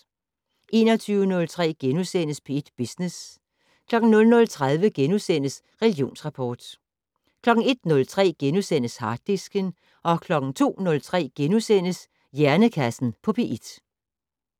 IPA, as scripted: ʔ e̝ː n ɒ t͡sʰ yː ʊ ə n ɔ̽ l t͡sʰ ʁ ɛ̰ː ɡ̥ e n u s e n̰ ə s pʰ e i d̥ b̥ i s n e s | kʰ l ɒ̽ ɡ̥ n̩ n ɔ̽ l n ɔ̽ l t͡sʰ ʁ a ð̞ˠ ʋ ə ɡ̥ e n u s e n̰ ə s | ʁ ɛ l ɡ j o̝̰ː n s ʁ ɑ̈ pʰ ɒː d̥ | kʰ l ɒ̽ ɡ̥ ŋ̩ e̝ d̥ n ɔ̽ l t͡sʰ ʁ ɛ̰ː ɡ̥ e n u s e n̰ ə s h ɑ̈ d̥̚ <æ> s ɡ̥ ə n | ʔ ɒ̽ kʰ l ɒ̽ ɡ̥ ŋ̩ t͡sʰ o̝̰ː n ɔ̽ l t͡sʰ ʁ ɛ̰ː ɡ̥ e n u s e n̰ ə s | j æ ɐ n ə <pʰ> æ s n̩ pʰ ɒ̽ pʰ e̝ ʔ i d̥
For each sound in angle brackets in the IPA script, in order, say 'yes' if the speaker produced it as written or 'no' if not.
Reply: no, no

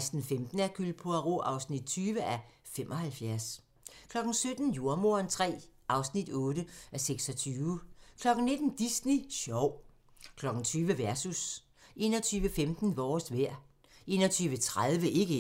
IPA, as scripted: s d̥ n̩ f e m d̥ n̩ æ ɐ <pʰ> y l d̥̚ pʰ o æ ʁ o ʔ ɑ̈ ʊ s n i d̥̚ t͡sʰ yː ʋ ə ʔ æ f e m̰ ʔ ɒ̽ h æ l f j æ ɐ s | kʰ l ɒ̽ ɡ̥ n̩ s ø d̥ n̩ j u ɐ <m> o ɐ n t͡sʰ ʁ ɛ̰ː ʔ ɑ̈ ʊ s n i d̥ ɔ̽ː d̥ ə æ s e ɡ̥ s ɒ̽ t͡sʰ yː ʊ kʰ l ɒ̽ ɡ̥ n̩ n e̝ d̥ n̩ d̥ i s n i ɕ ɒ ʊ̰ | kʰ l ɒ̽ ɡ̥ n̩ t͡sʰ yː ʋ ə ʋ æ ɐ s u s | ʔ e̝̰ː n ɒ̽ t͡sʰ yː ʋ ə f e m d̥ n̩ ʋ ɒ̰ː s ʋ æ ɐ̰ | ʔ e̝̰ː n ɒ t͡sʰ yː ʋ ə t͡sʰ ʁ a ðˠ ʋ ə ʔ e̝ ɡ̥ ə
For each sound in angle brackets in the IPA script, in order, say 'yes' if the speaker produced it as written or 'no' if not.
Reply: no, yes

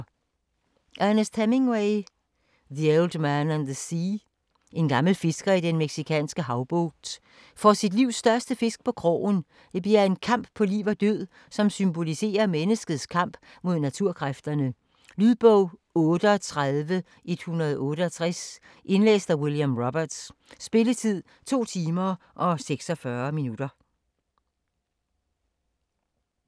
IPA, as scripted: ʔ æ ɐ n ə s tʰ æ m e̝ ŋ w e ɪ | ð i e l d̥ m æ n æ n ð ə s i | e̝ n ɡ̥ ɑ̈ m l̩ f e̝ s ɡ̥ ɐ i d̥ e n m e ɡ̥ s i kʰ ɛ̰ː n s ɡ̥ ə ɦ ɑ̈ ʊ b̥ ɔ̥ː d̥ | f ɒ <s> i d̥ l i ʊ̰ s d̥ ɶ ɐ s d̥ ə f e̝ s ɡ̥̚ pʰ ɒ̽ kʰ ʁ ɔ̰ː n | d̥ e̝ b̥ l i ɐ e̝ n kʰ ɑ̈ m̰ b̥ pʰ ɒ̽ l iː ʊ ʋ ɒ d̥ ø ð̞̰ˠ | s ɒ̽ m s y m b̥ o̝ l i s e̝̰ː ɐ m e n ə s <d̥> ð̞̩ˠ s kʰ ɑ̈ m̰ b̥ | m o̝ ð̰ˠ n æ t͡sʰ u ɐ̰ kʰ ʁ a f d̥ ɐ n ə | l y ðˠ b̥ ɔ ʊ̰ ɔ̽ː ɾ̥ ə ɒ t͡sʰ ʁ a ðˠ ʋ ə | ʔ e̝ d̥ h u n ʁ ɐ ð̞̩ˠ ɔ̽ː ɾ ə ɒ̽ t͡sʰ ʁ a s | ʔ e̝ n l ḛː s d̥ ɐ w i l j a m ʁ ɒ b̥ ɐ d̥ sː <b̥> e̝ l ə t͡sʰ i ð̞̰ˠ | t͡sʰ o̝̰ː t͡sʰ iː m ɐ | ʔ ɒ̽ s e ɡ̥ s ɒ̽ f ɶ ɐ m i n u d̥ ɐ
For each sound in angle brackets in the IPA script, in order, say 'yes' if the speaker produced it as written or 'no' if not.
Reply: yes, no, yes

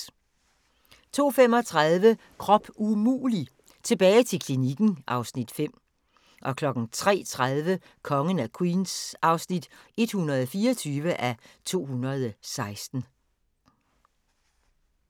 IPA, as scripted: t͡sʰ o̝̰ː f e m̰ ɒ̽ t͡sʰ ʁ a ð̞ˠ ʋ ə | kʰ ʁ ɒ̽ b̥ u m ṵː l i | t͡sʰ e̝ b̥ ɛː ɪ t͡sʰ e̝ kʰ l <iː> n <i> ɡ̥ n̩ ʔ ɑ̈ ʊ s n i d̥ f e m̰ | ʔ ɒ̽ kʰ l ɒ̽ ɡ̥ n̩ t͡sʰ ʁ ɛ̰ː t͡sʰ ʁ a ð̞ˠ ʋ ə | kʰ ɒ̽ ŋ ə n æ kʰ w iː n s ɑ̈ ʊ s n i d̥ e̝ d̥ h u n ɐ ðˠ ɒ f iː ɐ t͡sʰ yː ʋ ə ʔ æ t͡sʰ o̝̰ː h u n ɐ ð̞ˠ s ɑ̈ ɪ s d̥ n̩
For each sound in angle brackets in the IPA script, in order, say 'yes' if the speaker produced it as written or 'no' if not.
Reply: no, yes

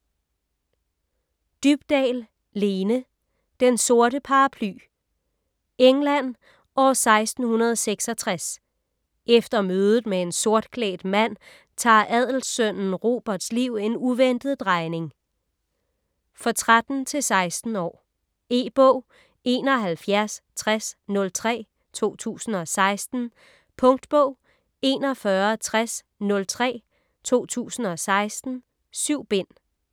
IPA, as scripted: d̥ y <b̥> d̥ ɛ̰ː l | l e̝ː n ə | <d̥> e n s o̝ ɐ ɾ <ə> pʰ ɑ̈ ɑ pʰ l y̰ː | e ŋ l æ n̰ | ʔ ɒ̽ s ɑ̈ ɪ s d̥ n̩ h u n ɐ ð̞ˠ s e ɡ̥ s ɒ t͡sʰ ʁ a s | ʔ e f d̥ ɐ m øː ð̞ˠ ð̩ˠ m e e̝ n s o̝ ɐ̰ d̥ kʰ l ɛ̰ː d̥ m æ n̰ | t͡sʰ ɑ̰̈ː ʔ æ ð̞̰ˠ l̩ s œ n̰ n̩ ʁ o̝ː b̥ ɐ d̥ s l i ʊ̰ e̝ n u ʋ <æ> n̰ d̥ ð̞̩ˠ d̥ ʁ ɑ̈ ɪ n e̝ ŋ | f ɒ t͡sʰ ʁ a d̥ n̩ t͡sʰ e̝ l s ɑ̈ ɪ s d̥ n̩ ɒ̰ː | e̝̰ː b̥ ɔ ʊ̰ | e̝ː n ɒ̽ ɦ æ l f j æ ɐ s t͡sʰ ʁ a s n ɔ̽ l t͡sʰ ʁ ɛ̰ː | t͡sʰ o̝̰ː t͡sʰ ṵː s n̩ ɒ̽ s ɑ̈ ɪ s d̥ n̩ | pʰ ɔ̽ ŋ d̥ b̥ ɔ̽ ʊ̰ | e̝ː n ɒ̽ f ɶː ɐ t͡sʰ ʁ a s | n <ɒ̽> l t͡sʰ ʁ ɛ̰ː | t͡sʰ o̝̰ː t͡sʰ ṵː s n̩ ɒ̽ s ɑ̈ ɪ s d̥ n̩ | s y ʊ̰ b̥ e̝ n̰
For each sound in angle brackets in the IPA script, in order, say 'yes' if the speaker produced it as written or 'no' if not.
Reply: yes, yes, yes, no, no

